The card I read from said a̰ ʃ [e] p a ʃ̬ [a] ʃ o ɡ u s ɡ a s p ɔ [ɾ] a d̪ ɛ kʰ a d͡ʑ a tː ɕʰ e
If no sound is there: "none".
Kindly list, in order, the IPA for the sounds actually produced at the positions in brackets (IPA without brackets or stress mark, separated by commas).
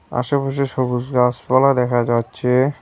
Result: a, e, l